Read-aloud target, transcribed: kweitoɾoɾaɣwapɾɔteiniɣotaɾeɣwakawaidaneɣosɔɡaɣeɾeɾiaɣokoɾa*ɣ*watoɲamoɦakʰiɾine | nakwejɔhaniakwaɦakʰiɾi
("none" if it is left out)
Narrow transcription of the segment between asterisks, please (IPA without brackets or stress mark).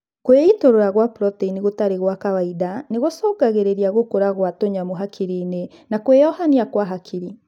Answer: ɣ